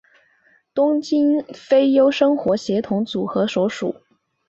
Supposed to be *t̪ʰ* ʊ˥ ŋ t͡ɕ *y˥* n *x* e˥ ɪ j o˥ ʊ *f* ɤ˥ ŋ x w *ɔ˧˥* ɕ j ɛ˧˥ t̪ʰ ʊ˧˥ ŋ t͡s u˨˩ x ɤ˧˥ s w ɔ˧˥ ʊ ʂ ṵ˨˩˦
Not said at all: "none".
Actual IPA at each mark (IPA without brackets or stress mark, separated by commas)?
t̪, i˥, f, ʂ, ɔ˧˥